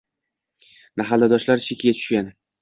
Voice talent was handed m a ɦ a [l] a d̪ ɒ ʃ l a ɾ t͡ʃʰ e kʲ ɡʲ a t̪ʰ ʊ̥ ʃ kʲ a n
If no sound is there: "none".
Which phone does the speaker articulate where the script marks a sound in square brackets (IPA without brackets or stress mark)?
lː